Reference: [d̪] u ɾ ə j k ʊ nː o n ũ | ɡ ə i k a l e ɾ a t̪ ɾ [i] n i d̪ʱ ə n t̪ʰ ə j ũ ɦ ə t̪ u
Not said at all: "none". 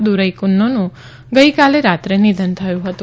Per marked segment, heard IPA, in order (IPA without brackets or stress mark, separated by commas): d̪, e